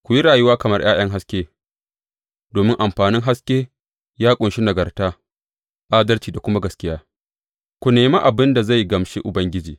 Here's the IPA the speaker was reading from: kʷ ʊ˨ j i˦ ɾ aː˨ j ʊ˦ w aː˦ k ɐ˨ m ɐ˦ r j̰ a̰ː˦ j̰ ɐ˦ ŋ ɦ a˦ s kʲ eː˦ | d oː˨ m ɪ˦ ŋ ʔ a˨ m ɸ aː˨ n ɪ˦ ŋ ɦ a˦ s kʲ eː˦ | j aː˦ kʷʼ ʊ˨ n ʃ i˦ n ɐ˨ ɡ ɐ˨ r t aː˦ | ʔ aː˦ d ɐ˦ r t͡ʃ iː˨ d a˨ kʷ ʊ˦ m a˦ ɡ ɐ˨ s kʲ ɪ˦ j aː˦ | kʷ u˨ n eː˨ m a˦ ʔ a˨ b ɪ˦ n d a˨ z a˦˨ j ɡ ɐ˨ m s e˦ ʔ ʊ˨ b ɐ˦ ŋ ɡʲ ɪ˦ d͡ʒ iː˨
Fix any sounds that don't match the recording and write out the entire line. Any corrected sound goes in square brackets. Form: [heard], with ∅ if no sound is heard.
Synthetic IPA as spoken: kʷ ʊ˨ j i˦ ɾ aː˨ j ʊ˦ w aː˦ k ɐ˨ m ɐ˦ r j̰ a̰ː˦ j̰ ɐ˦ ŋ ɦ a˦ s kʲ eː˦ | d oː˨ m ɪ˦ ŋ ʔ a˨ m ɸ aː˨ n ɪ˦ ŋ ɦ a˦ s kʲ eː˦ | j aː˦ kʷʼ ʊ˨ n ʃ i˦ n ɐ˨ ɡ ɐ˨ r t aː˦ | ʔ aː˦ d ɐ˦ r t͡ʃ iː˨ d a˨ kʷ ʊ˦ m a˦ ɡ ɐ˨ s kʲ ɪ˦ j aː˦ | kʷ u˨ n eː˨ m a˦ ʔ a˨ b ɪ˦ n d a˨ z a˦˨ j ɡ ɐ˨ m [ʃ] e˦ ʔ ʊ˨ b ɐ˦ ŋ ɡʲ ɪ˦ d͡ʒ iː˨